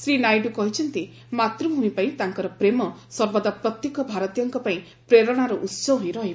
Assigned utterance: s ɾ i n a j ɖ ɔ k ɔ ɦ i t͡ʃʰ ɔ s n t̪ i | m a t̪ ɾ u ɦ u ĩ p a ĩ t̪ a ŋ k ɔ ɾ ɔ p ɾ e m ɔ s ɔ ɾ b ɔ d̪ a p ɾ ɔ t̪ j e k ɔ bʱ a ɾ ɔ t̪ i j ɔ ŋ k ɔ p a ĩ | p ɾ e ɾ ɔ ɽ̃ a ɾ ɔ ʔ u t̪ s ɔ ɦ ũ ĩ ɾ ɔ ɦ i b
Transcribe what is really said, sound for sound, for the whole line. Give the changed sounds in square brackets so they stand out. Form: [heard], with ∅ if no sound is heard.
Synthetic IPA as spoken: s ɾ i n a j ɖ [u] k ɔ ɦ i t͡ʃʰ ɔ [∅] n t̪ i | m a t̪ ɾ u ɦ u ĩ p a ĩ t̪ a ŋ k ɔ ɾ ɔ p ɾ e m ɔ s ɔ ɾ b ɔ d̪ a p ɾ ɔ t̪ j e k ɔ bʱ a ɾ ɔ t̪ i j ɔ ŋ k ɔ p a ĩ | p ɾ e ɾ ɔ ɽ̃ a ɾ ɔ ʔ u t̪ s ɔ ɦ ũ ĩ ɾ ɔ ɦ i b

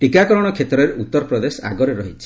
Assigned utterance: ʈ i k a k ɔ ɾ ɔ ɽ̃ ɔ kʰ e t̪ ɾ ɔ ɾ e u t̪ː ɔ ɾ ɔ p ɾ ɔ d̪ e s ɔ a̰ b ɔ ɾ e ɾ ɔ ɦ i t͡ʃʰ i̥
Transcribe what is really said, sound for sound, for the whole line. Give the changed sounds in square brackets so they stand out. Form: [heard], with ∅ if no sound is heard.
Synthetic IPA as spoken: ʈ i k a k ɔ ɾ ɔ ɽ̃ ɔ kʰ e t̪ ɾ ɔ ɾ e u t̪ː ɔ ɾ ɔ p ɾ ɔ d̪ e s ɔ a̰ [ɡ] ɔ ɾ e ɾ ɔ ɦ i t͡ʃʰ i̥

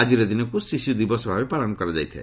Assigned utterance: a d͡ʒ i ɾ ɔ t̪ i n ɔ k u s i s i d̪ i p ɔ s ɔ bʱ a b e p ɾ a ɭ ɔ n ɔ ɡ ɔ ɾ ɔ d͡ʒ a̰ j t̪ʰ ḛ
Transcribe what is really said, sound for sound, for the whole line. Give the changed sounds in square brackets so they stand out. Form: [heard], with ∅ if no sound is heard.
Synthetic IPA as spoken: a d͡ʒ i ɾ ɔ [d̪] i n ɔ k u s i s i d̪ i [b] ɔ s ɔ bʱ a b e p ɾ a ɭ ɔ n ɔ [k] ɔ ɾ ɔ d͡ʒ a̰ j t̪ʰ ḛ

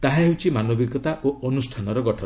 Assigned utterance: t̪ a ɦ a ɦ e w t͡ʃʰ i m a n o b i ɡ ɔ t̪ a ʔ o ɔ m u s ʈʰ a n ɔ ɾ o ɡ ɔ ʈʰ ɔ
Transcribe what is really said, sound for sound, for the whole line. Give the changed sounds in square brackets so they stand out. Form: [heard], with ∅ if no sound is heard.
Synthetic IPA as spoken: t̪ a ɦ a ɦ e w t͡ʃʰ i m a n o b i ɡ ɔ t̪ a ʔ o ɔ [n] u s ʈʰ a n ɔ ɾ [ɔ] ɡ ɔ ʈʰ ɔ

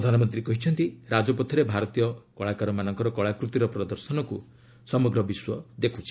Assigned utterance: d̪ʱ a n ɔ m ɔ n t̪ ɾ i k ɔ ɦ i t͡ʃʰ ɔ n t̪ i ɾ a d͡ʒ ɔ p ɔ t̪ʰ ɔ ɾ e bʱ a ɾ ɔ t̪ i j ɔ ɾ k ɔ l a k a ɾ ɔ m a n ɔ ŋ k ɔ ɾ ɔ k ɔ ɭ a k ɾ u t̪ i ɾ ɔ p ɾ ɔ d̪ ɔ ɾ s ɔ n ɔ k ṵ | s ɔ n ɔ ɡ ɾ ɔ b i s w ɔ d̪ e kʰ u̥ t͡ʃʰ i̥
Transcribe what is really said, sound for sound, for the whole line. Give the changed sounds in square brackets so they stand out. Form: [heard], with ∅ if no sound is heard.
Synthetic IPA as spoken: d̪ʱ a n ɔ m ɔ n t̪ ɾ i k ɔ ɦ i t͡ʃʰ ɔ n t̪ i ɾ a d͡ʒ ɔ p ɔ t̪ʰ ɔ ɾ e bʱ a ɾ ɔ t̪ i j ɔ [∅] k ɔ [ɭ] a k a ɾ ɔ m a n ɔ ŋ k ɔ ɾ ɔ k ɔ ɭ a k ɾ u t̪ i ɾ ɔ p ɾ ɔ d̪ ɔ ɾ s ɔ n ɔ k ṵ | s ɔ [m] ɔ ɡ ɾ ɔ b i s w ɔ d̪ e kʰ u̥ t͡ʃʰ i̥

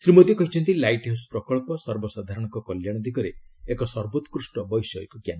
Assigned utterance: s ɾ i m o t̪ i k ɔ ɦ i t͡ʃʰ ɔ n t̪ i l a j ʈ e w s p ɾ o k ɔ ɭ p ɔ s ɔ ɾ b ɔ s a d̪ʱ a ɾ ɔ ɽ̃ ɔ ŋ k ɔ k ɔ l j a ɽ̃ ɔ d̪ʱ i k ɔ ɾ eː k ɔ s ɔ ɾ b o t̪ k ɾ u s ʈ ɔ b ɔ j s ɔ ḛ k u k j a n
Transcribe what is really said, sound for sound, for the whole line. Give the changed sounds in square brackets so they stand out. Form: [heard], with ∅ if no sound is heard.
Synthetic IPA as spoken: s ɾ i m o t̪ i k ɔ ɦ i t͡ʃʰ ɔ n t̪ i l a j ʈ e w s p ɾ [ɔ] k ɔ ɭ p ɔ s ɔ ɾ b ɔ s a d̪ʱ a ɾ ɔ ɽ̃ ɔ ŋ k ɔ k ɔ l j a ɽ̃ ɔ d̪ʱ i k ɔ ɾ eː k ɔ s ɔ ɾ b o t̪ k ɾ u s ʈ ɔ b ɔ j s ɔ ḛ k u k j a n

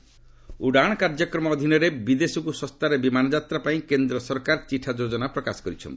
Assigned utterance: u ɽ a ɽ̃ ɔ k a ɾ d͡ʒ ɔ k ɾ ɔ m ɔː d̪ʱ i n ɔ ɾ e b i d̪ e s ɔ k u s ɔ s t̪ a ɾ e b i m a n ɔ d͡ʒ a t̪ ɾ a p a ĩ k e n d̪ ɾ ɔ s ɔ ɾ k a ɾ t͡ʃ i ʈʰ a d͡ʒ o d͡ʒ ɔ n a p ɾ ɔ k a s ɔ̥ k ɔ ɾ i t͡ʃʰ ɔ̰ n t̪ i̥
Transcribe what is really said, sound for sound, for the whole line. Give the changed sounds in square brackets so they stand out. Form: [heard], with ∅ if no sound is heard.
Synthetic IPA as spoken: u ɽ a ɽ̃ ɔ k a ɾ d͡ʒ ɔ k ɾ ɔ m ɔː d̪ʱ i n ɔ ɾ e b i d̪ e s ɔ k u s ɔ s t̪ a ɾ e b i m a n ɔ d͡ʒ a t̪ ɾ a p a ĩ k e n d̪ ɾ ɔ s ɔ ɾ k a ɾ t͡ʃ i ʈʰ a d͡ʒ o d͡ʒ ɔ n a p ɾ ɔ k a s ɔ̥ k ɔ ɾ i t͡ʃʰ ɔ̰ n t̪ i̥

